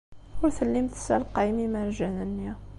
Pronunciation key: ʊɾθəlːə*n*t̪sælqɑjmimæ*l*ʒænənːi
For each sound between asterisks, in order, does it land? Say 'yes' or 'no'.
no, no

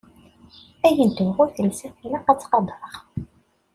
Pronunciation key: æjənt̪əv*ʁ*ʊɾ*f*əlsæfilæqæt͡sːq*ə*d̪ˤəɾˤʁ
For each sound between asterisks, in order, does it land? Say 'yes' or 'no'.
yes, no, no

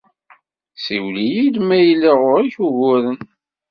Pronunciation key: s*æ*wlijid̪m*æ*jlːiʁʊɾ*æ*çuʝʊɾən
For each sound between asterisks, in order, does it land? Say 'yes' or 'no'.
no, yes, no

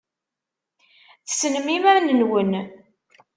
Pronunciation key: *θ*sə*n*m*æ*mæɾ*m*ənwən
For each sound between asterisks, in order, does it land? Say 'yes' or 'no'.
yes, yes, no, no

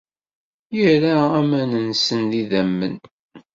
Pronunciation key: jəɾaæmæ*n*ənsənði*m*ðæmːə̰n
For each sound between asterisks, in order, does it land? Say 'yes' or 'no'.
yes, no

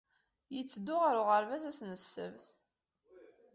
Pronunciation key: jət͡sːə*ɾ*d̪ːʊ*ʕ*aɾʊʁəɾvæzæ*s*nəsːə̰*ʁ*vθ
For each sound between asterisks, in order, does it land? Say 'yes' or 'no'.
no, no, yes, no

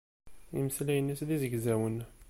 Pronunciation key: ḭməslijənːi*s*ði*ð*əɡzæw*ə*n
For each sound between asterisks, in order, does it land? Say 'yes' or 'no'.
yes, no, yes

